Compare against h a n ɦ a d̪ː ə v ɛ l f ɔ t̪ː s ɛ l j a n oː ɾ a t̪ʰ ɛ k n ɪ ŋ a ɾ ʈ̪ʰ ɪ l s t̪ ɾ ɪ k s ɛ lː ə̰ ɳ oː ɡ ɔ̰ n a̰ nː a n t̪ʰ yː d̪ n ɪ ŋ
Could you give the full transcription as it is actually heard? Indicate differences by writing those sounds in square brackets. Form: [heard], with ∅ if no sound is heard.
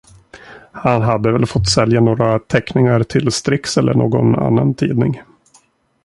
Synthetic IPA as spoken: h a n ɦ a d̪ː ə v ɛ l f ɔ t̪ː s ɛ l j a n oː ɾ a t̪ʰ ɛ k n ɪ ŋ a ɾ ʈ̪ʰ ɪ l s t̪ ɾ ɪ k s ɛ lː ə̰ ɳ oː ɡ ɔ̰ n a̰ nː a n t̪ʰ [iː] d̪ n ɪ ŋ

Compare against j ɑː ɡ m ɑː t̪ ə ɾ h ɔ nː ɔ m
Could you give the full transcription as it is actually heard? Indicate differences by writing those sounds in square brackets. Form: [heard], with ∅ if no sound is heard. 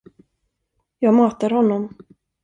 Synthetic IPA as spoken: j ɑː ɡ m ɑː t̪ [a] ɾ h ɔ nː ɔ m

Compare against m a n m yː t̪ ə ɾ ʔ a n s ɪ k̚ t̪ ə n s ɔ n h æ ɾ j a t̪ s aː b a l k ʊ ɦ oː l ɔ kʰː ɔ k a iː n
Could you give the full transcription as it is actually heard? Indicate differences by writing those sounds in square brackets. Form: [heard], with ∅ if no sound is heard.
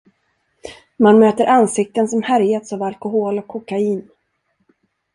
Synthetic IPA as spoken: m a n m [øː] t̪ ə ɾ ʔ a n s ɪ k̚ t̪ ə n s ɔ [m] h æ ɾ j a t̪ s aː [v] a l k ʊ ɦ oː l ɔ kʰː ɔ k a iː n

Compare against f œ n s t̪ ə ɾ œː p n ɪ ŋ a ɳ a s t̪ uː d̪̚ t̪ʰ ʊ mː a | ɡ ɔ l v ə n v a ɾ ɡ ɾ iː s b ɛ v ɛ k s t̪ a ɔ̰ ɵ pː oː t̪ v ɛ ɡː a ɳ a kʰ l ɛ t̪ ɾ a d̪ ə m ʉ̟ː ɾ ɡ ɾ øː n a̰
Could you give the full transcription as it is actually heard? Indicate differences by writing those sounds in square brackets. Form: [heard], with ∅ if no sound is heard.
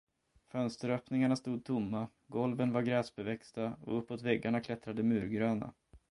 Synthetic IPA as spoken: f œ n s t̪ ə ɾ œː p n ɪ ŋ a ɳ a s t̪ uː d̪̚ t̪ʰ ʊ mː a | ɡ ɔ l v ə n v a ɾ ɡ ɾ [ɛː] s b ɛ v ɛ k s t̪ a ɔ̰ ɵ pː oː t̪ v ɛ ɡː a ɳ a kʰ l ɛ t̪ ɾ a d̪ ə m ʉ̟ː ɾ ɡ ɾ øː n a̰

